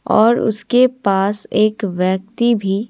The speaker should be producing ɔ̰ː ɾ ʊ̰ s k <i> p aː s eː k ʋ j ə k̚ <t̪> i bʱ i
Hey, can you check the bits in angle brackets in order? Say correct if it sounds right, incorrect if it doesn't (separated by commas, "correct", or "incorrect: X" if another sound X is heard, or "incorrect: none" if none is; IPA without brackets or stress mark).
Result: incorrect: e, correct